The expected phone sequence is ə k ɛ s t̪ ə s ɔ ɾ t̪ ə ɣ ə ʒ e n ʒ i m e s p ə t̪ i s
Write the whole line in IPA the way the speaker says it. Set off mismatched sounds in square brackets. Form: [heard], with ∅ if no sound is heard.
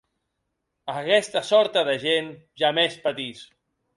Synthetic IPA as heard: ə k ɛ s t̪ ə s ɔ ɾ t̪ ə [ð] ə ʒ e n ʒ [a] m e s p ə t̪ i s